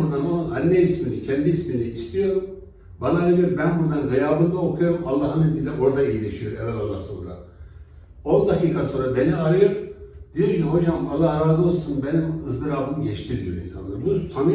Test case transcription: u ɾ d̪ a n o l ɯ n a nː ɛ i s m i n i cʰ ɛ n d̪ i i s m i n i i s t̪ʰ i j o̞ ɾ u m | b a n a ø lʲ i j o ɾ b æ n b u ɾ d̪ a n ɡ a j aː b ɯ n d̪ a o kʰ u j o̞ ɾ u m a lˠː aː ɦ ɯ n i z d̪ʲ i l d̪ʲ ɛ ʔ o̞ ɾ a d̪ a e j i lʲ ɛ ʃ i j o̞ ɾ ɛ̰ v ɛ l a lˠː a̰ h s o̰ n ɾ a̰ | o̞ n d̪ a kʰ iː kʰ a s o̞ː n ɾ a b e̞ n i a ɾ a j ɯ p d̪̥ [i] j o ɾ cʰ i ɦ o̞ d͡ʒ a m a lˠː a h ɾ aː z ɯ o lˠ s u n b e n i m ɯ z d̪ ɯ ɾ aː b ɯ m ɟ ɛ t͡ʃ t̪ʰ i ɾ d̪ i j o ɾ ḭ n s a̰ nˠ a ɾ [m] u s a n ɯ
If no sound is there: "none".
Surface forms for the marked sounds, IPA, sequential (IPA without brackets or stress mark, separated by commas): i, b